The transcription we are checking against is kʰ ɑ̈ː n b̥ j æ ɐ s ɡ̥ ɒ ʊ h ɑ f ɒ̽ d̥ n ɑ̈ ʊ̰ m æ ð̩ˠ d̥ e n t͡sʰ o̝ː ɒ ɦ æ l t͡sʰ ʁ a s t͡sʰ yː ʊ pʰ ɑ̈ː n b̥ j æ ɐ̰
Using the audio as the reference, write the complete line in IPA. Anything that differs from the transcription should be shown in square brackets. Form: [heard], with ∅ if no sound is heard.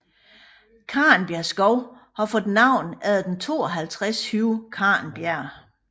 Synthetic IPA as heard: kʰ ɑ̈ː n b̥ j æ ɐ s ɡ̥ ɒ ʊ h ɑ f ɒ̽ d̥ n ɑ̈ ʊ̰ [n] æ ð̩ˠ d̥ e n t͡sʰ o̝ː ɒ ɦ æ l t͡sʰ ʁ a s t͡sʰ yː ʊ [kʰ] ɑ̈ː n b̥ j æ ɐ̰